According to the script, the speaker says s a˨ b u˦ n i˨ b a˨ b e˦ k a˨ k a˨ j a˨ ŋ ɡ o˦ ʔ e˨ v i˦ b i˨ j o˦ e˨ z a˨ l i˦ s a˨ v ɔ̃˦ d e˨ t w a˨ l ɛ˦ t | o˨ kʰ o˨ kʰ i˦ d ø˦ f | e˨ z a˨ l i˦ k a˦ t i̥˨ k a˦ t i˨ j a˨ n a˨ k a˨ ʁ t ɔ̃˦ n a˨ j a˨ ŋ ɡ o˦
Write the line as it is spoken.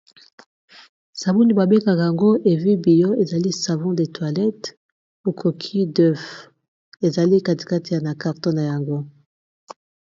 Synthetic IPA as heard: s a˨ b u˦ n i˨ b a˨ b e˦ k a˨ k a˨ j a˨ ŋ ɡ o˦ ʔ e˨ v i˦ b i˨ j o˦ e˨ z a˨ l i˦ s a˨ v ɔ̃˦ d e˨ t w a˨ l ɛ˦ t | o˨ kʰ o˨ kʰ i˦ d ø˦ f | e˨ z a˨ l i˦ k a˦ t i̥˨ k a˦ t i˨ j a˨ n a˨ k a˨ ʁ t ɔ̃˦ n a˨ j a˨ ŋ ɡ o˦